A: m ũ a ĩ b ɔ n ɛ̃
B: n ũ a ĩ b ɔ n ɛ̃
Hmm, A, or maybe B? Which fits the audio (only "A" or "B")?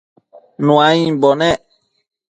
B